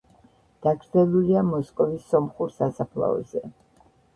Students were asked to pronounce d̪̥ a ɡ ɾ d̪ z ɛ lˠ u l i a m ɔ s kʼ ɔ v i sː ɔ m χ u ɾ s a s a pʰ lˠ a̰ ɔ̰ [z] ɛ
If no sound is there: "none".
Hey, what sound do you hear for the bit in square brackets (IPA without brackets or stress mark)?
z